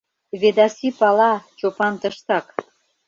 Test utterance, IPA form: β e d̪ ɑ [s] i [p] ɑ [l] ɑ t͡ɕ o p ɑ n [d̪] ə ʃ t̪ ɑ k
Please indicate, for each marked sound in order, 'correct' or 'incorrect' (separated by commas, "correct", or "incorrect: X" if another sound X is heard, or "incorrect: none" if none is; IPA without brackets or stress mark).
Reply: correct, correct, correct, incorrect: t̪